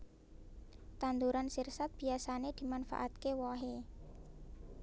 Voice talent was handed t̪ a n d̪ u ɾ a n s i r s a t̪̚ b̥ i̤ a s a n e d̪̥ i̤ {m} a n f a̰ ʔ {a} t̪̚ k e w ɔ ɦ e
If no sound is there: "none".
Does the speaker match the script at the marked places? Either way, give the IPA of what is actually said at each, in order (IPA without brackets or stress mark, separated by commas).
m, a